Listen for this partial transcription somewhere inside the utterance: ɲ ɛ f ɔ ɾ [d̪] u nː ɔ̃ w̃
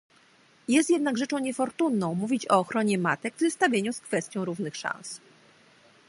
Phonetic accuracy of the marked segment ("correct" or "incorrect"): incorrect